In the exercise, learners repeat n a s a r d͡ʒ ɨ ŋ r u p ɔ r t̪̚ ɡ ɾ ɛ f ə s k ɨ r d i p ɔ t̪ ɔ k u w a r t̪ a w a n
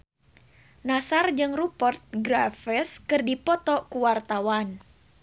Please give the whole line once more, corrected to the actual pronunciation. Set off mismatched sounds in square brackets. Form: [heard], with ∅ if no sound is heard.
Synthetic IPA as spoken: n a s a r d͡ʒ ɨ ŋ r u p ɔ r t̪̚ ɡ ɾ [a] f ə s k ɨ r d i p ɔ t̪ ɔ k u w a r t̪ a w a n